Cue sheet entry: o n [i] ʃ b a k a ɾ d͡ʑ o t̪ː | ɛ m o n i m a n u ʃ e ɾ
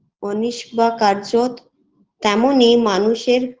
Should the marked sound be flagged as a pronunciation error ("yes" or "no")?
no